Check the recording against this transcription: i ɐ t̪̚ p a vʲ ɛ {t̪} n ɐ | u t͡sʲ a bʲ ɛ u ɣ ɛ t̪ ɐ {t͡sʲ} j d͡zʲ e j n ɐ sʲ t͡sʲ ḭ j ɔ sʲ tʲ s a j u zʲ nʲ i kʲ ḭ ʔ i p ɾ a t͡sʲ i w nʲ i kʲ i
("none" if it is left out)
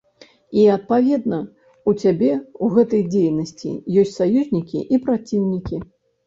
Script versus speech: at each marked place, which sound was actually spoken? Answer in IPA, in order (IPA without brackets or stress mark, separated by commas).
d̪, none